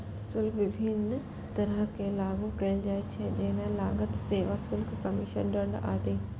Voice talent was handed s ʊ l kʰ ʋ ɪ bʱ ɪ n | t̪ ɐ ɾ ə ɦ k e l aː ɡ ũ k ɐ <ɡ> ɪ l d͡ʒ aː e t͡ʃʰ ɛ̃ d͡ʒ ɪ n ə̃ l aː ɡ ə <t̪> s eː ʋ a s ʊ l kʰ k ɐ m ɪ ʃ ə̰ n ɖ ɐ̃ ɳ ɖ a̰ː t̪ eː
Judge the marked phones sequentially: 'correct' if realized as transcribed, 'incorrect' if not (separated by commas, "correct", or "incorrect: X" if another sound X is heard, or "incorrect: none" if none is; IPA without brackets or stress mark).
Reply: incorrect: none, correct